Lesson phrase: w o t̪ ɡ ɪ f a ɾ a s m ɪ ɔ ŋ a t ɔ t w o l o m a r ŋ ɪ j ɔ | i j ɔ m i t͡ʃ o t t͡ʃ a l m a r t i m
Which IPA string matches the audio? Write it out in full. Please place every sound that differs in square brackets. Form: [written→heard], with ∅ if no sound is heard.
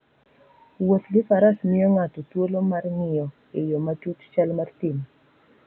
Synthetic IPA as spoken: w o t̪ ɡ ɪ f a ɾ a s m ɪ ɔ ŋ a t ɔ t w o l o m a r ŋ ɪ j ɔ | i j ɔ m [i→a] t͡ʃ [o→u] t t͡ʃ a l m a r t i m